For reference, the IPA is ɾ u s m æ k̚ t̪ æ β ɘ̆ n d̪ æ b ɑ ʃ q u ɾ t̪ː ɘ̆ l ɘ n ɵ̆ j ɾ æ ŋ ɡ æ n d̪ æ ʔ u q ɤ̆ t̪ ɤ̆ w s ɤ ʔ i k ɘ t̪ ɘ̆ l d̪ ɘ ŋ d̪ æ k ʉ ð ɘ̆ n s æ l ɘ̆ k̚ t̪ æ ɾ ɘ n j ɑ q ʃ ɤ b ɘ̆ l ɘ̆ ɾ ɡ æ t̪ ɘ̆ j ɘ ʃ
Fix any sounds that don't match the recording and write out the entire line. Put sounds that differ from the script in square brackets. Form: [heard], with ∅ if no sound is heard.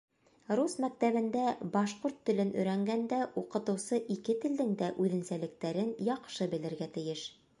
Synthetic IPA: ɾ u s m æ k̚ t̪ æ β ɘ̆ n d̪ æ b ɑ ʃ q u ɾ t̪ː ɘ̆ l ɘ n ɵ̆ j ɾ æ ŋ ɡ æ n d̪ æ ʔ u q ɤ̆ t̪ ɤ̆ w s ɤ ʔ i k ɘ t̪ ɘ̆ l d̪ ɘ ŋ d̪ æ [ʔ] ʉ ð ɘ̆ n s æ l ɘ̆ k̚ t̪ æ ɾ ɘ n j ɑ q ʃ ɤ b ɘ̆ l ɘ̆ ɾ ɡ æ t̪ ɘ̆ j ɘ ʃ